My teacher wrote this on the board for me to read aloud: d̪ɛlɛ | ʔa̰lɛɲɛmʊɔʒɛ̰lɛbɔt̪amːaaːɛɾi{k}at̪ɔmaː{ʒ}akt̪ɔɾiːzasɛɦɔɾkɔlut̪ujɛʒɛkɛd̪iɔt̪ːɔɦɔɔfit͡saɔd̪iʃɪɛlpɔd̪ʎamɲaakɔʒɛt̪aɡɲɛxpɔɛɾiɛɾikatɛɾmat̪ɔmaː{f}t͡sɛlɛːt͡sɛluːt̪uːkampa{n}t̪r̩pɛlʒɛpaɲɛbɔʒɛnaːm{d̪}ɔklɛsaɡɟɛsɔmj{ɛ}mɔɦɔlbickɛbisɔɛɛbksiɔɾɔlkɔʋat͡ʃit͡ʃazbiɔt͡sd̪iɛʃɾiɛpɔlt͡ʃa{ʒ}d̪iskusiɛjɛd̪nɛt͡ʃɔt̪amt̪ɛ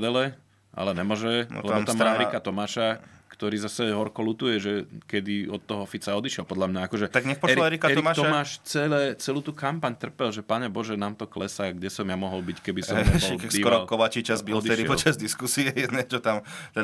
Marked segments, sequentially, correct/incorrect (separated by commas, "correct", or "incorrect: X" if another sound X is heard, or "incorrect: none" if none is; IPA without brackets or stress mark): correct, incorrect: ʃ, incorrect: ʃ, incorrect: ɲ, incorrect: t̪, incorrect: a, incorrect: z